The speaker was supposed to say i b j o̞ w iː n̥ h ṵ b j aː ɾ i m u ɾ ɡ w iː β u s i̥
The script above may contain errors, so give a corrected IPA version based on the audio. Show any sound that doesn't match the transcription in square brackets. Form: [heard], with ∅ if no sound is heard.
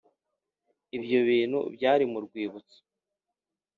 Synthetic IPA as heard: i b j o̞ [β] iː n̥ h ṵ b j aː ɾ i m u ɾ ɡ w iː β u [t͡s] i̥